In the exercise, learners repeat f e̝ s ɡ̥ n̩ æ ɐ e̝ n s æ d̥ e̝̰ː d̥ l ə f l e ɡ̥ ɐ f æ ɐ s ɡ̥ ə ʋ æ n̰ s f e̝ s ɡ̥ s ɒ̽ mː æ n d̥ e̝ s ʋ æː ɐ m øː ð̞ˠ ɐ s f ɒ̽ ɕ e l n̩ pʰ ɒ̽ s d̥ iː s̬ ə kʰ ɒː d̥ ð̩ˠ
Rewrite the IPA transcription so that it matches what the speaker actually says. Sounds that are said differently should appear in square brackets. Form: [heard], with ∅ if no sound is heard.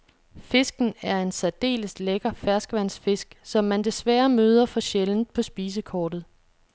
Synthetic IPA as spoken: f e̝ s ɡ̥ n̩ æ ɐ e̝ n s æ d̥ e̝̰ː [∅] l ə [s] l e ɡ̥ ɐ f æ ɐ s ɡ̥ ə ʋ æ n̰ s f e̝ s ɡ̥ s ɒ̽ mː æ n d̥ e̝ s ʋ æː ɐ m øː ð̞ˠ ɐ [∅] f ɒ̽ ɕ e l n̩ pʰ ɒ̽ s [b̥] iː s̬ ə kʰ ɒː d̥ ð̩ˠ